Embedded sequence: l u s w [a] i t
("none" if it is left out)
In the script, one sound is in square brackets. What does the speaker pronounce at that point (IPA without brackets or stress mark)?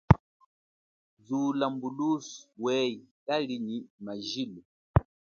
ɛ